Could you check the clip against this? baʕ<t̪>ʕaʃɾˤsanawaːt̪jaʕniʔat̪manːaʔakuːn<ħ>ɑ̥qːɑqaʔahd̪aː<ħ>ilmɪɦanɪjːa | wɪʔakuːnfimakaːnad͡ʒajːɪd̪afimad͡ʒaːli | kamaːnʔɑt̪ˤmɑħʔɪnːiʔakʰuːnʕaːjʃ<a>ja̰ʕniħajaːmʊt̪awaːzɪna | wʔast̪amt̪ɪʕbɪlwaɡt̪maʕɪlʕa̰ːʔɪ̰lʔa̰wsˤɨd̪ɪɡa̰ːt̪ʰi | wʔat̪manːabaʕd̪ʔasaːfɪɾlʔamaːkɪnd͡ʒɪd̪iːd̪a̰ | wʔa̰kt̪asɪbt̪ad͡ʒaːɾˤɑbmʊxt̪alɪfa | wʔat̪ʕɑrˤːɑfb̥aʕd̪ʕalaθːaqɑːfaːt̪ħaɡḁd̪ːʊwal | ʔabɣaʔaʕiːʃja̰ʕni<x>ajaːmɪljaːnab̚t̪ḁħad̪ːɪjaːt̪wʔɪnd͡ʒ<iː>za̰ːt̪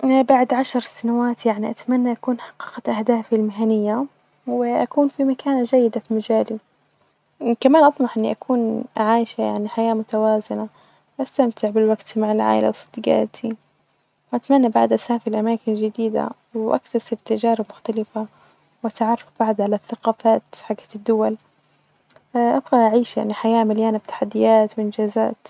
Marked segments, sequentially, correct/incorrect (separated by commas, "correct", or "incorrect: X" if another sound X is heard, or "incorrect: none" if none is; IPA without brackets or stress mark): incorrect: d̪, correct, incorrect: f, correct, incorrect: ħ, incorrect: aː